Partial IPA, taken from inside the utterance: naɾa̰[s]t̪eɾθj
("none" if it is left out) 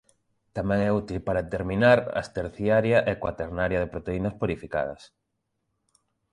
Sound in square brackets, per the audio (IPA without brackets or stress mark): s